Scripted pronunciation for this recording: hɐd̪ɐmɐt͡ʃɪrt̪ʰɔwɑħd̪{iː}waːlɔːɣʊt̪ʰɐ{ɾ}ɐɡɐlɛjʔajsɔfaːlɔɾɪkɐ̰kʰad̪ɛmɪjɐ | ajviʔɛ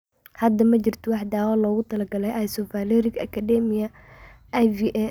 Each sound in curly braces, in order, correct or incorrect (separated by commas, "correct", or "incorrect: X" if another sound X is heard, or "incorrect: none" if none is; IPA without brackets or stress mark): incorrect: aː, incorrect: l